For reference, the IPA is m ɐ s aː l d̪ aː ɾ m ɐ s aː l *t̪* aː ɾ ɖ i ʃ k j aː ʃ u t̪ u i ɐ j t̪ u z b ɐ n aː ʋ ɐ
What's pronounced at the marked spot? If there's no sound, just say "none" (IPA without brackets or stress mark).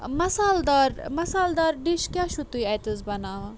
d̪